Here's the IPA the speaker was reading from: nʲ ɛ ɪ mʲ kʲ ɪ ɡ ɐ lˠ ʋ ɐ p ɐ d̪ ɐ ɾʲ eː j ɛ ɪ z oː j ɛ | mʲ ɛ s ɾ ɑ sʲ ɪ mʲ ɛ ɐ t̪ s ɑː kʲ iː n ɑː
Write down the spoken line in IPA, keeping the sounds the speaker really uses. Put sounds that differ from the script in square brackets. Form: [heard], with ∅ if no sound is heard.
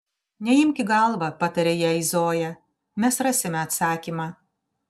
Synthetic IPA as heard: nʲ ɛ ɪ mʲ kʲ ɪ ɡ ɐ lˠ ʋ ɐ p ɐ [t̪] ɐ ɾʲ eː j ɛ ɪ z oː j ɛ | mʲ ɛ s ɾ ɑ sʲ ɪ mʲ ɛ ɐ t̪ s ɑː kʲ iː [m] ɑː